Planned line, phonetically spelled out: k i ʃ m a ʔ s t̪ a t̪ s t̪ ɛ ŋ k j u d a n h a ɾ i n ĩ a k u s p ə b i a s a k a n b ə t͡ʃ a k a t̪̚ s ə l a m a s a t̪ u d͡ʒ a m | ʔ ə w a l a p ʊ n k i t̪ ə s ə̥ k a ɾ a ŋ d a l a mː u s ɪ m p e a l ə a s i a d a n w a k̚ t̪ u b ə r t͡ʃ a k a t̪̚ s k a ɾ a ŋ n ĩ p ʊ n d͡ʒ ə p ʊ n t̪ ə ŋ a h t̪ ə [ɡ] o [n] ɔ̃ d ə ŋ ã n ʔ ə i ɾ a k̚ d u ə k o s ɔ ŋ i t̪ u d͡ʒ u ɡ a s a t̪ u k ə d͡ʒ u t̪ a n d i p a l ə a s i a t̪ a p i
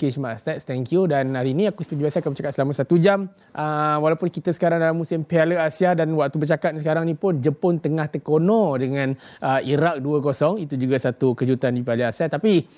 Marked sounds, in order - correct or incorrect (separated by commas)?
incorrect, correct